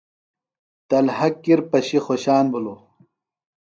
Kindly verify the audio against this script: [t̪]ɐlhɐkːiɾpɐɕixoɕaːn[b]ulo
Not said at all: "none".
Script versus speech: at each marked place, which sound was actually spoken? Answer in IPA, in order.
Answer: t̪, b

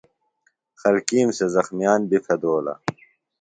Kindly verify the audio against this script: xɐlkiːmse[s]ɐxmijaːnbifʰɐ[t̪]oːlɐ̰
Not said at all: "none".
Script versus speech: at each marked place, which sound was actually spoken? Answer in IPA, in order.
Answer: z, d̪

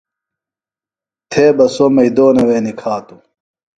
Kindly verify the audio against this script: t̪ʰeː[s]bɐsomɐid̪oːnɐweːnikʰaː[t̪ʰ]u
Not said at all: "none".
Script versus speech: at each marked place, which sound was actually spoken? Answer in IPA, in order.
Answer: none, t̪

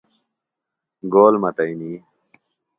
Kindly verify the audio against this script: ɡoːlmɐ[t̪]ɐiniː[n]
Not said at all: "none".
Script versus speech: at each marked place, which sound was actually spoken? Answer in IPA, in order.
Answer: t̪, none

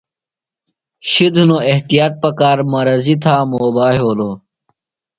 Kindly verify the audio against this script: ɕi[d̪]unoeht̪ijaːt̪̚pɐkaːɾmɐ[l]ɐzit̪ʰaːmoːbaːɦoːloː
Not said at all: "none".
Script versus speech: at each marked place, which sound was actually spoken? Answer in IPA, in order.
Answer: d̪, ɾ

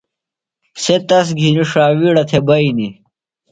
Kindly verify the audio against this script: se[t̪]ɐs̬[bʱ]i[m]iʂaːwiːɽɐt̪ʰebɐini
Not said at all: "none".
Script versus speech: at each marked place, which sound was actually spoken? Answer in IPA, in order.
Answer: t̪, ɡʱ, n

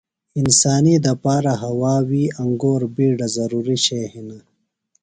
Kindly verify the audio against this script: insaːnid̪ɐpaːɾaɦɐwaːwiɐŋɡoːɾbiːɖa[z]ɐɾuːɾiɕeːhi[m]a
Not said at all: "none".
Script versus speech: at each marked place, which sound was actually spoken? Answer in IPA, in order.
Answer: z, n

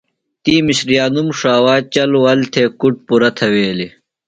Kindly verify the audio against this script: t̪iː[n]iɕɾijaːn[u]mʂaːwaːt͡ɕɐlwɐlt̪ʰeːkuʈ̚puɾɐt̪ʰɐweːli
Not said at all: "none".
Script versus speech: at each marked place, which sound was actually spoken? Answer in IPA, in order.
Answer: m, u

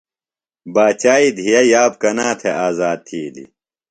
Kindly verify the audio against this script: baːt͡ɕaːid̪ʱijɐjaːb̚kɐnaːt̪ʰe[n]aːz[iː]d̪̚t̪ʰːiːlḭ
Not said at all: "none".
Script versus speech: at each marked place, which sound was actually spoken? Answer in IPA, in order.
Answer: none, aː

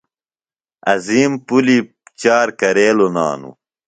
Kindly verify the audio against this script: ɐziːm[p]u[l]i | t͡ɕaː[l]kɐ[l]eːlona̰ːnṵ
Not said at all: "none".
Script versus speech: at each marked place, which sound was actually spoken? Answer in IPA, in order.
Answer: p, l, ɾ, ɾ

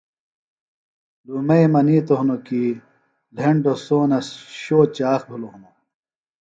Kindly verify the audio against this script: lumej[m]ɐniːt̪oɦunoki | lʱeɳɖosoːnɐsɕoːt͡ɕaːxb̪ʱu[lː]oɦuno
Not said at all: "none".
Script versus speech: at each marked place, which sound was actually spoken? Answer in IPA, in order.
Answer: m, l

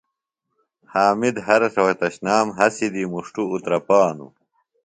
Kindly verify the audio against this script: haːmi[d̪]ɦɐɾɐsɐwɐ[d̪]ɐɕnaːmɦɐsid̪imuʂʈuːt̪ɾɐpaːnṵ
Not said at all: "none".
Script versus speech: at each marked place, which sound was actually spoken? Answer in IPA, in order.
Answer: d̪, t̪

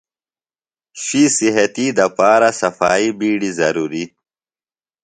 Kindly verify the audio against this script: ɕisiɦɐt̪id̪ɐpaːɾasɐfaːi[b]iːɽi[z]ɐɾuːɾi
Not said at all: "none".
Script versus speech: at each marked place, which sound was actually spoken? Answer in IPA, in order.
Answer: b, z

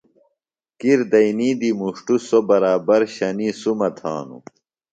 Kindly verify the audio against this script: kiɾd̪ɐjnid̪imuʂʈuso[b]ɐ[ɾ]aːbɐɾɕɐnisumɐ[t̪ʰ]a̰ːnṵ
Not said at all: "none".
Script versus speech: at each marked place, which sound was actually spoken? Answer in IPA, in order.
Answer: b, ɾ, t̪ʰ

